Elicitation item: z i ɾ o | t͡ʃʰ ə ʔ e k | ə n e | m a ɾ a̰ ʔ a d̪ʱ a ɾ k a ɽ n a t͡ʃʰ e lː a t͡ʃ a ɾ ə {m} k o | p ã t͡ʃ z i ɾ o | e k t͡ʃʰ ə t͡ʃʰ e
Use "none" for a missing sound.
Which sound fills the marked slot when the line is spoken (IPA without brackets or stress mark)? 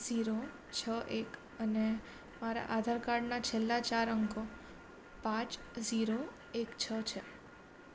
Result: ŋ